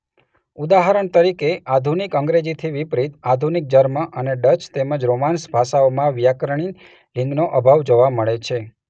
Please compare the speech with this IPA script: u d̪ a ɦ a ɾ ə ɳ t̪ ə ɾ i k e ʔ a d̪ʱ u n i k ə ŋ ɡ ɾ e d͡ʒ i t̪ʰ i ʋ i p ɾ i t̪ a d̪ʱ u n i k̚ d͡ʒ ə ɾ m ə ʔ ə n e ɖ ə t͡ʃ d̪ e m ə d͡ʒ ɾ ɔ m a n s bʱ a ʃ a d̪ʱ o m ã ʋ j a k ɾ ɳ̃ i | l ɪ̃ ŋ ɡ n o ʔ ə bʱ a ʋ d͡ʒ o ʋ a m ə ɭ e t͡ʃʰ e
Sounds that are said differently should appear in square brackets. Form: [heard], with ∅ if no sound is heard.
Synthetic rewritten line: u d̪ a ɦ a ɾ ə ɳ t̪ ə ɾ i k e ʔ a d̪ʱ u n i k ə ŋ ɡ ɾ e d͡ʒ i t̪ʰ i ʋ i p ɾ i t̪ a d̪ʱ u n i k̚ d͡ʒ ə ɾ m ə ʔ ə n e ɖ ə t͡ʃ [t̪] e m ə d͡ʒ ɾ [o] m a n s bʱ a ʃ a [∅] o m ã ʋ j a k ɾ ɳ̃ i | l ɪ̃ ŋ ɡ n o ʔ ə bʱ a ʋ d͡ʒ o ʋ a m ə ɭ e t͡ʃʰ e

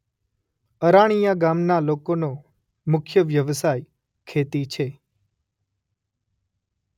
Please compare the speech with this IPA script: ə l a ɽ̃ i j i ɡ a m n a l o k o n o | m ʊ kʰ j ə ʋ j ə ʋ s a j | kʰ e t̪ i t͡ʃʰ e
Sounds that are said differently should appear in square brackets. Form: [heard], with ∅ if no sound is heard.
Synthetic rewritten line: ə [ɾ] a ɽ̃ i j [a] ɡ a m n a l o k o n o | m ʊ kʰ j ə ʋ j ə ʋ s a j | kʰ e t̪ i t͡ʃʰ e

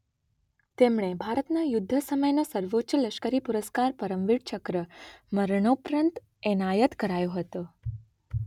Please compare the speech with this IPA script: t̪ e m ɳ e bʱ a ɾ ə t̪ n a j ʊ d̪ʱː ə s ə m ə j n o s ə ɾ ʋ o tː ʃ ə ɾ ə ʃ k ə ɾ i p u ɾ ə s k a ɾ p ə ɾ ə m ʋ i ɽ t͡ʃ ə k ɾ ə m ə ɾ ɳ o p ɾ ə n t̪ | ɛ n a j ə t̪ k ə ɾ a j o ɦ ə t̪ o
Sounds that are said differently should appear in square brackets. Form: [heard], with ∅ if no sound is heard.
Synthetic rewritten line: t̪ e m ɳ e bʱ a ɾ ə t̪ n a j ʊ d̪ʱː ə s ə m ə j n o s ə ɾ ʋ o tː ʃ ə [l] ə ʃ k ə ɾ i p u ɾ ə s k a ɾ p ə ɾ ə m ʋ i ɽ t͡ʃ ə k ɾ ə m ə ɾ ɳ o p ɾ ə n t̪ | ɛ n a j ə t̪ k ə ɾ a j o ɦ ə t̪ o

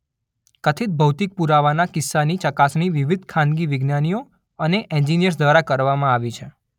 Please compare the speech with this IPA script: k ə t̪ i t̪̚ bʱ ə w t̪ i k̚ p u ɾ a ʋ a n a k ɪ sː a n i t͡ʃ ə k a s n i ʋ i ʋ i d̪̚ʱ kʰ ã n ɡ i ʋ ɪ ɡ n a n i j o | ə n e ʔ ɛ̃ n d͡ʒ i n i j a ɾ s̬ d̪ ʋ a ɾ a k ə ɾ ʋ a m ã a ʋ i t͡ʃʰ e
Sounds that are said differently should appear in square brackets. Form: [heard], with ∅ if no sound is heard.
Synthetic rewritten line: k ə [t̪ʰ] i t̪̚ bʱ ə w t̪ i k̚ p u ɾ a ʋ a n a k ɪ sː a n i t͡ʃ ə k a s n i ʋ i ʋ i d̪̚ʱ kʰ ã n ɡ i ʋ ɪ ɡ n a n i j o | ə n e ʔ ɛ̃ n d͡ʒ i n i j [ə] ɾ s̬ d̪ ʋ a ɾ a k ə ɾ ʋ a m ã a ʋ i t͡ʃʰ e

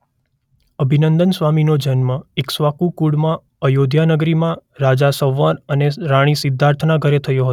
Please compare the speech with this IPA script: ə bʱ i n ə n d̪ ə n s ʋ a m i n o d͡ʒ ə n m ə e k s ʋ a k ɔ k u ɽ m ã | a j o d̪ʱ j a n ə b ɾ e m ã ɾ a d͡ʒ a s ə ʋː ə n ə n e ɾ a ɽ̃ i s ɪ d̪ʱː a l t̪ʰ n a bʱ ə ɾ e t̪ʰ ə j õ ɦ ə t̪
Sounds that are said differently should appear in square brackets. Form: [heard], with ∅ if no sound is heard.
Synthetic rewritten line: ə bʱ i n ə n d̪ ə n s ʋ a m i n o d͡ʒ ə n m ə e k s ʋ a k [u] k u ɽ m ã | [ə] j o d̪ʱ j a n ə [ɡ] ɾ [i] m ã ɾ a d͡ʒ a s ə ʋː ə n ə n e ɾ a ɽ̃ i s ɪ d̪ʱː a [ɾ] t̪ʰ n a [ɡʱ] ə ɾ e t̪ʰ ə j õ ɦ ə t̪

